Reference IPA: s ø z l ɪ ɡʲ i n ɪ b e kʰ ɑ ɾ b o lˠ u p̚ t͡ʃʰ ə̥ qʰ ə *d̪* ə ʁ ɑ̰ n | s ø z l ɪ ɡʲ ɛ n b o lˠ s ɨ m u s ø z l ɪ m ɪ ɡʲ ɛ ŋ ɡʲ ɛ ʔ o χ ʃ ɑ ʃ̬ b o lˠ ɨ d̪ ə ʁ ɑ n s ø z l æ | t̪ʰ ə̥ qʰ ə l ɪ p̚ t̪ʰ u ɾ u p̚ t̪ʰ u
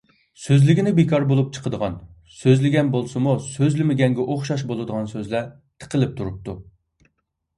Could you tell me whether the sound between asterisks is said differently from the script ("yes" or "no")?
no